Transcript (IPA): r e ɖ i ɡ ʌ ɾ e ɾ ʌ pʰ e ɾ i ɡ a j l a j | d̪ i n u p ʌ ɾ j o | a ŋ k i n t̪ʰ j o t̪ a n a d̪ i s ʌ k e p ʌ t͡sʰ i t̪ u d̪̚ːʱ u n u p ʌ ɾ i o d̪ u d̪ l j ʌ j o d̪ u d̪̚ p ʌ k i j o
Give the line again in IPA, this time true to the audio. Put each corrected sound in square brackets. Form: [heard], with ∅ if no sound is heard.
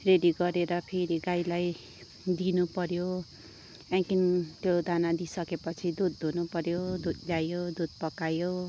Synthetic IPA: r e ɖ i ɡ ʌ ɾ e ɾ ʌ pʰ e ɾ i ɡ a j l a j | d̪ i n u p ʌ ɾ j o | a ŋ k i n [t̪] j o [d̪] a n a d̪ i s ʌ k e p ʌ t͡sʰ i [d̪] u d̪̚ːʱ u n u p ʌ ɾ [j] o d̪ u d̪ l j [a] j o d̪ u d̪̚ p ʌ k [a] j o